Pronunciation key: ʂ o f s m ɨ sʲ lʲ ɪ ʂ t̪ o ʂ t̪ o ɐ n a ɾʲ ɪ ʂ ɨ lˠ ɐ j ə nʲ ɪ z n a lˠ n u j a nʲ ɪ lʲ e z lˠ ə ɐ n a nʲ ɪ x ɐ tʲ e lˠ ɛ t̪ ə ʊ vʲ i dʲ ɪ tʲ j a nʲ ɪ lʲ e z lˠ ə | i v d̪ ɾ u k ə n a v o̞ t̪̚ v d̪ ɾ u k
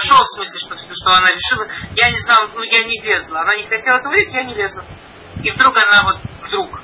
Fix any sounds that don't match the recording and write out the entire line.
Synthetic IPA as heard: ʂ o f s m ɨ sʲ lʲ ɪ ʂ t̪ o ʂ t̪ o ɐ n a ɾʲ ɪ ʂ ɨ lˠ ə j a nʲ ɪ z n a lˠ n u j a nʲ ɪ lʲ e z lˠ ə ɐ n a nʲ ɪ x ɐ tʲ e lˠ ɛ t̪ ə ʊ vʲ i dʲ ɪ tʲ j a nʲ ɪ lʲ e z lˠ ə | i v d̪ ɾ u k ɐ n a v o̞ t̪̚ v d̪ ɾ u k